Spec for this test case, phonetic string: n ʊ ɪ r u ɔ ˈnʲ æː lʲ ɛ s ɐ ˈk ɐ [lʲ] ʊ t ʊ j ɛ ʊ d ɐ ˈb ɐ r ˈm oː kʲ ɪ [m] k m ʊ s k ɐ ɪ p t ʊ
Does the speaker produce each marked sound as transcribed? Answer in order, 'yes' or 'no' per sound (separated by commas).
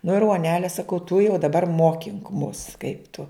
no, no